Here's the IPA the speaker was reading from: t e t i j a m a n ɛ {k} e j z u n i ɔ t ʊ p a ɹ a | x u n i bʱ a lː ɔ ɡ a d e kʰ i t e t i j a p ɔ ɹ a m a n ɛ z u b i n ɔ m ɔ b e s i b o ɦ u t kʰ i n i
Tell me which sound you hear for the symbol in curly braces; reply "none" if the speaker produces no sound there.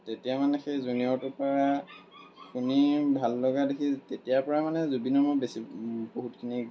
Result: x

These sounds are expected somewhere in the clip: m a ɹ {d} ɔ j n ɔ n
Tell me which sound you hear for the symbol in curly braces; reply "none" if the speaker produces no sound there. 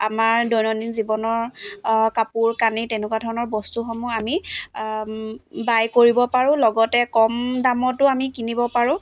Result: d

